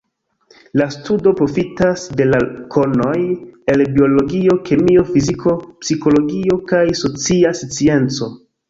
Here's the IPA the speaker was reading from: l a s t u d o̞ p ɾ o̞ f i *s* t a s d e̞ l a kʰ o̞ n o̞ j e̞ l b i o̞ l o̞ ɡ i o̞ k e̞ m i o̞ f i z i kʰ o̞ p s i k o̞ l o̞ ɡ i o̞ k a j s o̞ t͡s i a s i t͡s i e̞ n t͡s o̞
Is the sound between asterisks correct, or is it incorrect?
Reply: incorrect